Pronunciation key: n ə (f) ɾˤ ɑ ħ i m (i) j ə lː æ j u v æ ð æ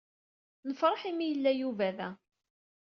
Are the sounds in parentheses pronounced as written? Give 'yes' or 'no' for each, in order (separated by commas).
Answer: yes, yes